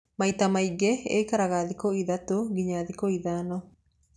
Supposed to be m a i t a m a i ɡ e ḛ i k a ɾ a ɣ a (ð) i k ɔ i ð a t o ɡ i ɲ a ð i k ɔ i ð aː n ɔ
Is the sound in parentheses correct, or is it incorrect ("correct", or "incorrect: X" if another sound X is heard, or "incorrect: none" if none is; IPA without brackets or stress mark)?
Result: correct